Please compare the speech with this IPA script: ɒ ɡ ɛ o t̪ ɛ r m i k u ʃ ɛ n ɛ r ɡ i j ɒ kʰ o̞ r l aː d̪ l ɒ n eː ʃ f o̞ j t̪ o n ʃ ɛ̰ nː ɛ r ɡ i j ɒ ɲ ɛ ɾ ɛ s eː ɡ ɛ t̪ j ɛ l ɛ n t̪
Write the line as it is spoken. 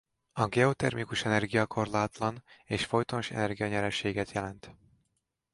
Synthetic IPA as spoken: ɒ ɡ ɛ o t̪ ɛ r m i k u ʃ ɛ n ɛ r ɡ i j ɒ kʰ o̞ r l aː t̪ l ɒ n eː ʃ f o̞ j t̪ o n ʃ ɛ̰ n ɛ r ɡ i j ɒ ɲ ɛ ɾ ɛ ʃ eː ɡ ɛ t̪ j ɛ l ɛ n t̪

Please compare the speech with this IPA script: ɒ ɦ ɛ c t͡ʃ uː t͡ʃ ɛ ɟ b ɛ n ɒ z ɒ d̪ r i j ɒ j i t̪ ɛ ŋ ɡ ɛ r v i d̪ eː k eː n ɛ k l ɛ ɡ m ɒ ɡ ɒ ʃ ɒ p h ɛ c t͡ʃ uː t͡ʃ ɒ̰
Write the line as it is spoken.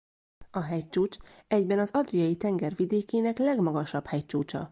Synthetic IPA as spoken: ɒ ɦ ɛ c t͡ʃ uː t͡ʃ ɛ ɟ b ɛ n ɒ z ɒ d̪ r i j ɒ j i t̪ ɛ ŋ ɡ ɛ r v i d̪ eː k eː n ɛ k l ɛ ɡ m ɒ ɡ ɒ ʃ ɒ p h ɛ c t͡ʃ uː t͡ʃ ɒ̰

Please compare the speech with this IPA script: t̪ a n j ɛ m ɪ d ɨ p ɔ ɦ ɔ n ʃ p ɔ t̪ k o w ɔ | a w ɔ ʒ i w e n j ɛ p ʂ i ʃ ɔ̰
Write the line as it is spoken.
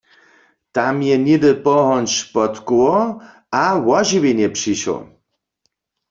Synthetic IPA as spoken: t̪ a m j ɛ n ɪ d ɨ p ɔ ɦ ɔ n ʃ p ɔ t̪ k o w ɔ | a w ɔ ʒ i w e n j ɛ p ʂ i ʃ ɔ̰

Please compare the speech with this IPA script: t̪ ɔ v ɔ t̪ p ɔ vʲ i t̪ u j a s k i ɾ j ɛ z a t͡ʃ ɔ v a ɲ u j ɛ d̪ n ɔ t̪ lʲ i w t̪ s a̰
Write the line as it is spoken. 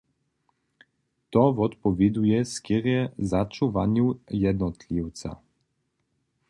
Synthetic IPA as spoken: t̪ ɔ v ɔ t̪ p ɔ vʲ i d̪ u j ɛ s k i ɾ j ɛ z a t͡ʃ u v a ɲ u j ɛ d̪ n ɔ t̪ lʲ i w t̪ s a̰

